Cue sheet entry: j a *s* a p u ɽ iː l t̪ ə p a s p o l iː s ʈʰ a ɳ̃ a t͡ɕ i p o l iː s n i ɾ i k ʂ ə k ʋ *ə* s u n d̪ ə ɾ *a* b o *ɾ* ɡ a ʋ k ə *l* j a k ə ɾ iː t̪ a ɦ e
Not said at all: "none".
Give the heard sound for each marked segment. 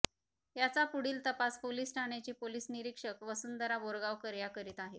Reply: t͡s, ə, a, ɾ, ɾ

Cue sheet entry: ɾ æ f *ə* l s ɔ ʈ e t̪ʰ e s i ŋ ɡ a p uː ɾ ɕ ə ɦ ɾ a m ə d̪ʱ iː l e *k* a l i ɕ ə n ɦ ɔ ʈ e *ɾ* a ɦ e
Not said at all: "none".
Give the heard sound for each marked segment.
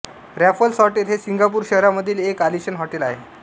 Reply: ə, k, l

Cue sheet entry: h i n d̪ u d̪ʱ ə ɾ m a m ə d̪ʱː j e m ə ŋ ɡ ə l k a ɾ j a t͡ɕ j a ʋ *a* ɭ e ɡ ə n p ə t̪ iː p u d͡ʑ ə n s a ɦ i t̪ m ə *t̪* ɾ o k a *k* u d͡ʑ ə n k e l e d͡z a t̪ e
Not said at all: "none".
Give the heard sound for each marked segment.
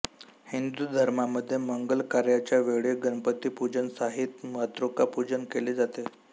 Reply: e, t̪, p

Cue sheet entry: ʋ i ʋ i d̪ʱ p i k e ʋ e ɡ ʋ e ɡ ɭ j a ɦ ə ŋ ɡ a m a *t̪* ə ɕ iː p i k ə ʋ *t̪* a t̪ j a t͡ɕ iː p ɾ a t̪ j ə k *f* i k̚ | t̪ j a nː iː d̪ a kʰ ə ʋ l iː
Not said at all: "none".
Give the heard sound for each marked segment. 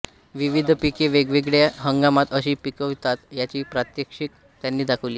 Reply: t̪, t̪, ʂ

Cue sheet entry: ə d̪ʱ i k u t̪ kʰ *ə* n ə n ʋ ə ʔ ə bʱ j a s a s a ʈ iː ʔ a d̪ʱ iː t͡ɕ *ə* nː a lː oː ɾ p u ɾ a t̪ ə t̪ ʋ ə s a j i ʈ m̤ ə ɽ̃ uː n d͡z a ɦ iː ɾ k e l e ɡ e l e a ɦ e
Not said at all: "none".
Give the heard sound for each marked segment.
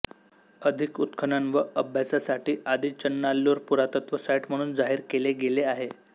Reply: ə, ə

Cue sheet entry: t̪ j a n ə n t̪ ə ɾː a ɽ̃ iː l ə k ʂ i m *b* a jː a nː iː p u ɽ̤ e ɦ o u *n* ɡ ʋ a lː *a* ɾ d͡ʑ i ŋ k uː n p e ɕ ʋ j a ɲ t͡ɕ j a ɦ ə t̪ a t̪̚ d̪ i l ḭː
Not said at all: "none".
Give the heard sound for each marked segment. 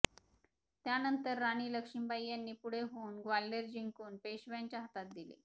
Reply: b, n, e

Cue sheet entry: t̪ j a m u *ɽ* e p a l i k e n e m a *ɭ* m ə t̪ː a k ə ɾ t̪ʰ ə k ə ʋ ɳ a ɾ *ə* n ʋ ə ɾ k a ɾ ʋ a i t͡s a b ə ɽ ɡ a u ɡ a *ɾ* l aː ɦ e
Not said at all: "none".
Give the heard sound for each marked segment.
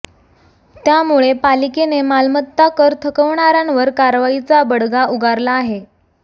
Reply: ɭ, l, a, ɾ

